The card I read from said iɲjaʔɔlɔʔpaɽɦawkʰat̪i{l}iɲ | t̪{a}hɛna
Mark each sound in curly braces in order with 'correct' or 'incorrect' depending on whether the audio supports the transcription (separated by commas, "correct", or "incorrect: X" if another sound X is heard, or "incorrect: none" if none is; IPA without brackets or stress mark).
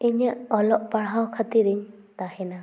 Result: incorrect: ɾ, correct